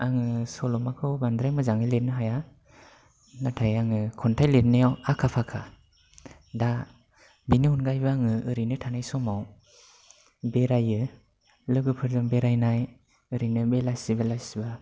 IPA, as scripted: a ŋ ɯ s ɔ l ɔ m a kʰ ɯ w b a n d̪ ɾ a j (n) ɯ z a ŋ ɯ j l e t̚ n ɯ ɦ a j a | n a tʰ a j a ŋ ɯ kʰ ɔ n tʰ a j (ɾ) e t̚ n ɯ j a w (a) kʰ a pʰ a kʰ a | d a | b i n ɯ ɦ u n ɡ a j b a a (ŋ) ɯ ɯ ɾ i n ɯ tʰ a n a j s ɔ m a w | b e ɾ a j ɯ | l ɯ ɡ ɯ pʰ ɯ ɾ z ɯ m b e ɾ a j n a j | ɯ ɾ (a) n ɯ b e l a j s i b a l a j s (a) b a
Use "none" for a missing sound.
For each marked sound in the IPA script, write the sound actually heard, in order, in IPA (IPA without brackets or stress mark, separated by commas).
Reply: m, l, a, ŋ, i, i